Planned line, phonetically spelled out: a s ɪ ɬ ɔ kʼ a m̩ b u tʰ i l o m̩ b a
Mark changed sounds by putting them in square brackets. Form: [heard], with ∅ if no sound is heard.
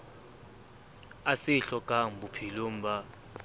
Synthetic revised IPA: a s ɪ ɬ ɔ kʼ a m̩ b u [pʰ] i l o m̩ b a